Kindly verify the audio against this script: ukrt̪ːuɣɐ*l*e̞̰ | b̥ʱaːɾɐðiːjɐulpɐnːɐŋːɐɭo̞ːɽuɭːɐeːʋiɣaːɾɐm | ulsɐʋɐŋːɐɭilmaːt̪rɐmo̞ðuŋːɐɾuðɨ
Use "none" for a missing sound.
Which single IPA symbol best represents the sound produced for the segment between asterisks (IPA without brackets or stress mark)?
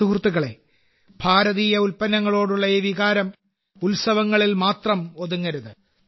ɭ